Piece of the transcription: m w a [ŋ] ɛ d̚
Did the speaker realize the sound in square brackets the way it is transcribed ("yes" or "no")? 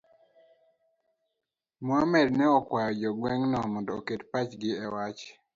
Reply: no